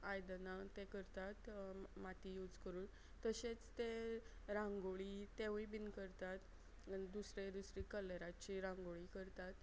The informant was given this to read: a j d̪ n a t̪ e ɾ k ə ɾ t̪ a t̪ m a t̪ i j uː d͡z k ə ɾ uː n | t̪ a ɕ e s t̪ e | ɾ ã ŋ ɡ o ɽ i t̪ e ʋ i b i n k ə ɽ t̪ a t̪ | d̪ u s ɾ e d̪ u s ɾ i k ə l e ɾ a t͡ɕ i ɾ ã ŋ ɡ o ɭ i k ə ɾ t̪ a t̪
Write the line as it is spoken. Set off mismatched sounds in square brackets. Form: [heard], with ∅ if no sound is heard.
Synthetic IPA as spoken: a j d̪ n a t̪ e [∅] k ə ɾ t̪ a t̪ m a t̪ i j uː d͡z k ə ɾ uː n | t̪ [ə] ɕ e [t͡s] t̪ e | ɾ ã ŋ ɡ o [ɭ] i t̪ e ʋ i b i n k ə [ɾ] t̪ a t̪ | d̪ u s ɾ e d̪ u s ɾ i k ə l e ɾ a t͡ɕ i ɾ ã ŋ ɡ o ɭ i k ə ɾ t̪ a t̪